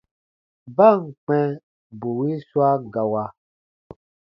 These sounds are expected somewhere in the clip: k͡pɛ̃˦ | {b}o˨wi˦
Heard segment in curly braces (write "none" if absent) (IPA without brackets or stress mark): b